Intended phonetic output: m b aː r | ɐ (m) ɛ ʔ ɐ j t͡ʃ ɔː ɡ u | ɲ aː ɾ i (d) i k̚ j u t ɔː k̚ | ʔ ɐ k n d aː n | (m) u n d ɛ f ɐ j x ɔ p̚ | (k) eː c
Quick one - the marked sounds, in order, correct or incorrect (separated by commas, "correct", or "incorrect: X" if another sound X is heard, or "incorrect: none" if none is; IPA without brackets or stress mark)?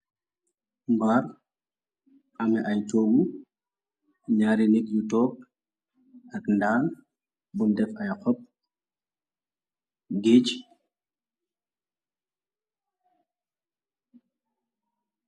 correct, incorrect: n, incorrect: b, incorrect: ɡ